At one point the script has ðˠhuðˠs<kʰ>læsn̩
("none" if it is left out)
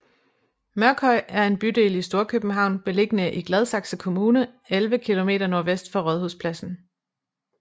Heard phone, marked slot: pʰ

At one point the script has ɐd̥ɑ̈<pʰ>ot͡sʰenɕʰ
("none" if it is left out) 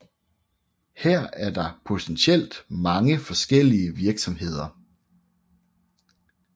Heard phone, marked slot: pʰ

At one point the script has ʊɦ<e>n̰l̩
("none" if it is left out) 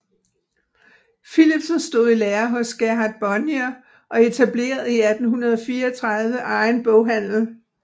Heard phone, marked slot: æ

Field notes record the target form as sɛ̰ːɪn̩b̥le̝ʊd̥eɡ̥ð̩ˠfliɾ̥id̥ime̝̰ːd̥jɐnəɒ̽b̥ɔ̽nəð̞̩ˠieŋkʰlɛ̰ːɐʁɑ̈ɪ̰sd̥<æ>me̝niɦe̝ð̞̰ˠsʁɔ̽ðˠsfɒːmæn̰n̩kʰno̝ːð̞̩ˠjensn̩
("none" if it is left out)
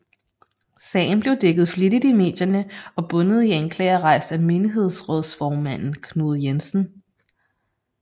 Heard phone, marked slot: æ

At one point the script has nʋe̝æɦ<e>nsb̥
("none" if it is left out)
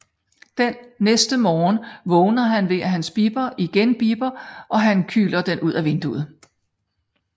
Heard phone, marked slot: æ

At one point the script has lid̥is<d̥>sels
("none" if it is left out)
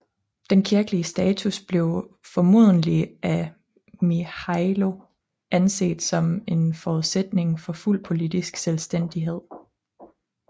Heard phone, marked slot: ɡ̥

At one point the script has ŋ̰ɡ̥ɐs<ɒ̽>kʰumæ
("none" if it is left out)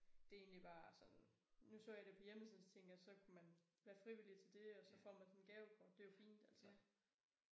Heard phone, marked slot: ɒ̽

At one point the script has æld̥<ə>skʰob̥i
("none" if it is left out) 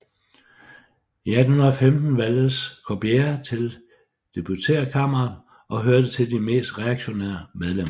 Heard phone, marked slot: ə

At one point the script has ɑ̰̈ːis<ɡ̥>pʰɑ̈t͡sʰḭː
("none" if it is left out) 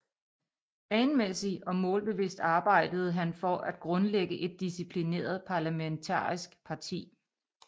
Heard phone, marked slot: ɡ̥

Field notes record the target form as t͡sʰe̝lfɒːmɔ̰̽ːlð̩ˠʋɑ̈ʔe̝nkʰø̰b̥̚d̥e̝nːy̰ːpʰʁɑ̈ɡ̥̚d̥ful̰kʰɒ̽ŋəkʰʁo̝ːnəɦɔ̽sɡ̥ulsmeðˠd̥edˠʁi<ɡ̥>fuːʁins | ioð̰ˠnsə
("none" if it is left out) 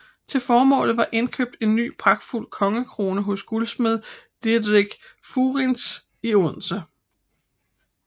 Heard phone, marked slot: ɡ̥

